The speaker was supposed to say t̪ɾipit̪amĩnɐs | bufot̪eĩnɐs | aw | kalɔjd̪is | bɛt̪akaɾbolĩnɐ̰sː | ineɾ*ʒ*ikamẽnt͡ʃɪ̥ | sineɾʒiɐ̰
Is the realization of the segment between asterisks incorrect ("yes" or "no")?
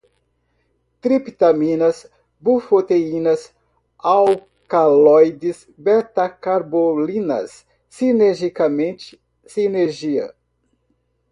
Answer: no